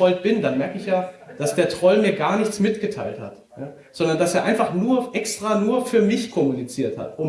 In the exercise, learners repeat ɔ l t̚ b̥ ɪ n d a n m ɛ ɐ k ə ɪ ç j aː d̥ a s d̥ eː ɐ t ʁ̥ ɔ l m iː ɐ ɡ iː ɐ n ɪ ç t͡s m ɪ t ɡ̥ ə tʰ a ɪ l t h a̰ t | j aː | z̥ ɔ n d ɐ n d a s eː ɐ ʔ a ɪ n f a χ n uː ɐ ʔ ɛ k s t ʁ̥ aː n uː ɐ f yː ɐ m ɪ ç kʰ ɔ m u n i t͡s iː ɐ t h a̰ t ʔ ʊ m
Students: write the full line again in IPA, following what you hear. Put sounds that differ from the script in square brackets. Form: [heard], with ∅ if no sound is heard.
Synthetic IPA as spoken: ɔ l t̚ b̥ ɪ n d a n m ɛ ɐ k ə ɪ ç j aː d̥ a s d̥ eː ɐ t ʁ̥ ɔ l m iː ɐ ɡ [aː] ɐ n ɪ ç t͡s m ɪ t ɡ̥ ə tʰ a ɪ l t h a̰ t | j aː | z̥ ɔ n d ɐ n d a s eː ɐ ʔ a ɪ n f a χ n uː ɐ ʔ ɛ k s t ʁ̥ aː n uː ɐ f yː ɐ m ɪ ç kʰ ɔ m u n i t͡s iː ɐ t h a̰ t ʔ ʊ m

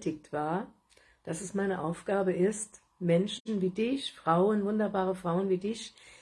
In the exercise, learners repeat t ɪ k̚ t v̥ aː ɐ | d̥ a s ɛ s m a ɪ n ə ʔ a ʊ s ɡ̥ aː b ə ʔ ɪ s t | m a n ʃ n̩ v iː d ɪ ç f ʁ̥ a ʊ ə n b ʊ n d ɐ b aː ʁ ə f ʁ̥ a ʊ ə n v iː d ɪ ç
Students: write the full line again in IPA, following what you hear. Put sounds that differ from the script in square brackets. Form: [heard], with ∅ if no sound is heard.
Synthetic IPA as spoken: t ɪ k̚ t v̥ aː ɐ | d̥ a s ɛ s m a ɪ n ə ʔ a ʊ [f] ɡ̥ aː b ə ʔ ɪ s t | m [ɛ] n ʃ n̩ v iː d ɪ ç f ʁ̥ a ʊ ə n [v] ʊ n d ɐ b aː ʁ ə f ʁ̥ a ʊ ə n v iː d ɪ ç

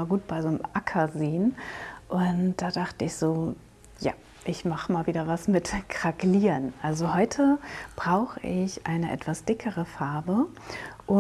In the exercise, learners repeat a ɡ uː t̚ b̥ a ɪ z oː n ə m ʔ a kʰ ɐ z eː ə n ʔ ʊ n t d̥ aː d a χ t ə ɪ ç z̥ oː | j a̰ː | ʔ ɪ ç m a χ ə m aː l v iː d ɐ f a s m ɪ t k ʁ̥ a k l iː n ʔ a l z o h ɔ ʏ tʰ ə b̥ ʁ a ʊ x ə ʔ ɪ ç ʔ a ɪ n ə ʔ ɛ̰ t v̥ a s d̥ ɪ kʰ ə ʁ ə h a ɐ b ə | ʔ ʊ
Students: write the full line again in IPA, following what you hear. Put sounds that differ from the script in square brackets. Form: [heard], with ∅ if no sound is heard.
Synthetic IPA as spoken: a ɡ uː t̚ b̥ a ɪ z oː n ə m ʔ a kʰ ɐ z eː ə n ʔ ʊ n t d̥ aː d a χ t ə ɪ ç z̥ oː | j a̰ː | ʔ ɪ ç m a χ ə m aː l v iː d ɐ [v] a s m ɪ t k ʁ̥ a k l iː n ʔ a l z o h ɔ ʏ tʰ ə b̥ ʁ a ʊ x ə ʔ ɪ ç ʔ a ɪ n ə ʔ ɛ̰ t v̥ a s d̥ ɪ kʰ ə ʁ ə [f] a ɐ b ə | ʔ ʊ

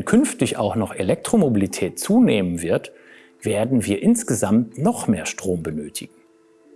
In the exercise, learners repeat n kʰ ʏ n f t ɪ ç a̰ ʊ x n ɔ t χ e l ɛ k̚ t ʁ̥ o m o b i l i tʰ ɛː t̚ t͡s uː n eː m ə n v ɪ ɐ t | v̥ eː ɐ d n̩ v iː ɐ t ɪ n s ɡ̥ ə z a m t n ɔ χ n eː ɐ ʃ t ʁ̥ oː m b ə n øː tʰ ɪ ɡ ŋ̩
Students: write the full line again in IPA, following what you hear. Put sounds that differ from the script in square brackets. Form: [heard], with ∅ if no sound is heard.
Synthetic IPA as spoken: n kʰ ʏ n f t ɪ ç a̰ ʊ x n ɔ [∅] χ e l ɛ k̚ t ʁ̥ o m o b i l i tʰ ɛː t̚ t͡s uː n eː m ə n v ɪ ɐ t | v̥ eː ɐ d n̩ v iː ɐ [ʔ] ɪ n s ɡ̥ ə z a m t n ɔ χ [m] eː ɐ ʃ t ʁ̥ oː m b ə n øː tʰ ɪ ɡ ŋ̩

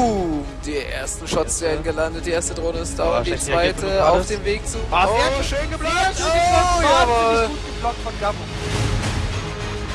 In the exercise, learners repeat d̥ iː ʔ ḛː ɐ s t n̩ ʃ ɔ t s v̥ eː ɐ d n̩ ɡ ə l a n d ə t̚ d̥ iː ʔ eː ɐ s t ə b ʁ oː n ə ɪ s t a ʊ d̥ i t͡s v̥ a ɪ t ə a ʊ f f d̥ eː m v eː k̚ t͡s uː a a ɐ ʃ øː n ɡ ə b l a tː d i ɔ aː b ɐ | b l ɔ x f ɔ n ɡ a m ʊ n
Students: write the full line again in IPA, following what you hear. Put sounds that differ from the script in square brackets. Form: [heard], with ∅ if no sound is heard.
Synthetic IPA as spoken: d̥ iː ʔ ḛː ɐ s t n̩ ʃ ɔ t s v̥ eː ɐ d n̩ ɡ ə l a n d ə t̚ d̥ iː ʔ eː ɐ s t ə [d] ʁ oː n ə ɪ s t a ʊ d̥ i t͡s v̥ a ɪ t ə a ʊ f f d̥ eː m v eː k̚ t͡s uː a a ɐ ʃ øː n ɡ ə b l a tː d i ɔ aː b ɐ | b l ɔ [k] f ɔ n ɡ a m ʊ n

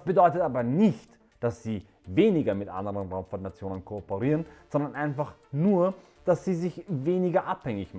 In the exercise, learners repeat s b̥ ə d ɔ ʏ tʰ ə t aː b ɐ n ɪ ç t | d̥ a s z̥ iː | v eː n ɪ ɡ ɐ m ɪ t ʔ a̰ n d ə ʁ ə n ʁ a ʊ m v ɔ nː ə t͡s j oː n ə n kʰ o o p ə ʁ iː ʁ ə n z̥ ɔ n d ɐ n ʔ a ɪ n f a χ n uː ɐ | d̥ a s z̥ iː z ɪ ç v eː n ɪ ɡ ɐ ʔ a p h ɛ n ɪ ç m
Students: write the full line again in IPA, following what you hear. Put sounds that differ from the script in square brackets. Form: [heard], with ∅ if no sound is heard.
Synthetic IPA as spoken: s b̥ ə d ɔ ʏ [t] ə t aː b ɐ n ɪ ç t | d̥ a s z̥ iː | v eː n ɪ ɡ ɐ m ɪ t ʔ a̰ n d ə ʁ ə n ʁ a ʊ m [f] ɔ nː [a] t͡s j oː n ə n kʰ o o p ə ʁ iː ʁ ə n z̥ ɔ n d ɐ n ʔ a ɪ n f a χ n uː ɐ | d̥ a s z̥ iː z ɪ ç v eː n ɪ ɡ ɐ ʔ a p h ɛ [ŋ] ɪ ç m

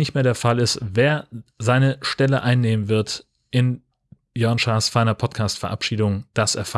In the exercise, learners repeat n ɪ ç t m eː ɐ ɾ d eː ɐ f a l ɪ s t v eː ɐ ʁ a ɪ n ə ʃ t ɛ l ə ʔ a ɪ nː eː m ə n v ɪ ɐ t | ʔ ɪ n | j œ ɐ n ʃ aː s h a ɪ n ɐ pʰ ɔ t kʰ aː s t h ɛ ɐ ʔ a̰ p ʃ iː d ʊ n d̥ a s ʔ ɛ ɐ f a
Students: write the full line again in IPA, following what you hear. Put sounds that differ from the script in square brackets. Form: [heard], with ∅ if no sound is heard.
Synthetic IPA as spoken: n ɪ ç t m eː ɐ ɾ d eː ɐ f a l ɪ s t v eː ɐ [z] a ɪ n ə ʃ t ɛ l ə ʔ a ɪ nː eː m ə n v ɪ ɐ t | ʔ ɪ n | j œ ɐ n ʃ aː s [f] a ɪ n ɐ pʰ ɔ t kʰ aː s t [f] ɛ ɐ ʔ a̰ p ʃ iː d ʊ [ŋ] d̥ a s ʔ ɛ ɐ f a

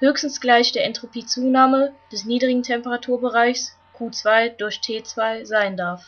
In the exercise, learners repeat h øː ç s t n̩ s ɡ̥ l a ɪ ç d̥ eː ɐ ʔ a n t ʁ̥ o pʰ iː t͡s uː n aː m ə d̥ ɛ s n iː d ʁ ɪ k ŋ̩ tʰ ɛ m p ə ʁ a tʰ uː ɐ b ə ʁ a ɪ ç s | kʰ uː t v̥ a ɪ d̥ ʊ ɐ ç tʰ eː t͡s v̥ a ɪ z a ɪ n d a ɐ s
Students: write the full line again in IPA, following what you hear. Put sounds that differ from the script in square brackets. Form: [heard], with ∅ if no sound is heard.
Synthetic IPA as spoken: h øː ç s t n̩ s ɡ̥ l a ɪ ç d̥ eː ɐ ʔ [ɛ] n t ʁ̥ o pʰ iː t͡s uː n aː m ə d̥ ɛ s n iː d ʁ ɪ [ɡ] ŋ̩ tʰ ɛ m p ə ʁ a tʰ uː ɐ b ə ʁ a ɪ ç s | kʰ uː [t͡s] v̥ a ɪ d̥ ʊ ɐ ç tʰ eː t͡s v̥ a ɪ z a ɪ n d a ɐ [f]

